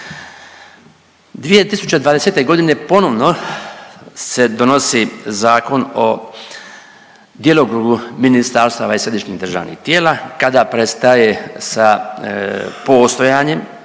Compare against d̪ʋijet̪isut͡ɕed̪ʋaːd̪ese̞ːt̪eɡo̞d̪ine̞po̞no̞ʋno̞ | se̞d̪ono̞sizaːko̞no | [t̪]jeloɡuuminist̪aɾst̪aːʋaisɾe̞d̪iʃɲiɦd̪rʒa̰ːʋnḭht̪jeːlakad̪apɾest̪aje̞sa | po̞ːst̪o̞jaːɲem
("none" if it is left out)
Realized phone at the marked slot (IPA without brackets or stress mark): d̪